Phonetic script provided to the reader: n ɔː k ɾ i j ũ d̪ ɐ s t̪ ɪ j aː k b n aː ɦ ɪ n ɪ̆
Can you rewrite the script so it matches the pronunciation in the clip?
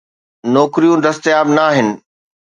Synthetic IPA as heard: n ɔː k ɾ i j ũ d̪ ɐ s t̪ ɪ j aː b n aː ɦ ɪ n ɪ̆